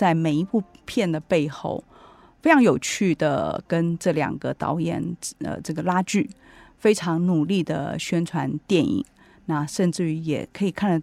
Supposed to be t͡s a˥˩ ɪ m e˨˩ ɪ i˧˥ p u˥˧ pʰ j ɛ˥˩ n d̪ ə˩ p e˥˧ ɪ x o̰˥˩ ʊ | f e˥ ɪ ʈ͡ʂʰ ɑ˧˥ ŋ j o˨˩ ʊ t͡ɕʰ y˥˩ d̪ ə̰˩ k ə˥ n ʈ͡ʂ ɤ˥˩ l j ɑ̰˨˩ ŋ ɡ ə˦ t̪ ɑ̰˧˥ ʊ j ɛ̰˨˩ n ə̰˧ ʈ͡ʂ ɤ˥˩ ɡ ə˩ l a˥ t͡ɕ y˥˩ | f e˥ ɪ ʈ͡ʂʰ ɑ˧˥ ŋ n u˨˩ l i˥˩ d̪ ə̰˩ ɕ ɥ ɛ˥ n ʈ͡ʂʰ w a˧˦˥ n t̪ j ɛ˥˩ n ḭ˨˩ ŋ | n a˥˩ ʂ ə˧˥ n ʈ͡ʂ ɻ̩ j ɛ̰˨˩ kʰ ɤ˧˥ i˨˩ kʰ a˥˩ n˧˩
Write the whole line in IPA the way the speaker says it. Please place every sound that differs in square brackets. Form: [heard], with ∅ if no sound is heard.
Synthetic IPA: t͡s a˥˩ ɪ m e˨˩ ɪ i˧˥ p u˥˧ pʰ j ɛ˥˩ n d̪ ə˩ p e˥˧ ɪ x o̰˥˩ ʊ | f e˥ ɪ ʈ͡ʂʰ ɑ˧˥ ŋ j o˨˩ ʊ t͡ɕʰ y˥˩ d̪ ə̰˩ k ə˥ n ʈ͡ʂ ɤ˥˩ l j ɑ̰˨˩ ŋ ɡ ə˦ t̪ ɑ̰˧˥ ʊ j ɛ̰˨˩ n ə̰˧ ʈ͡ʂ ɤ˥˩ ɡ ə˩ l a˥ t͡ɕ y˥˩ | f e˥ ɪ ʈ͡ʂʰ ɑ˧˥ ŋ n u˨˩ l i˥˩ d̪ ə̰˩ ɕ ɥ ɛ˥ n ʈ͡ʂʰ w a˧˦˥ n t̪ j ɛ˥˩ n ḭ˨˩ ŋ | n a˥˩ ʂ [ə˥˧] n ʈ͡ʂ ɻ̩ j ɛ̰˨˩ kʰ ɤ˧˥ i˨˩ kʰ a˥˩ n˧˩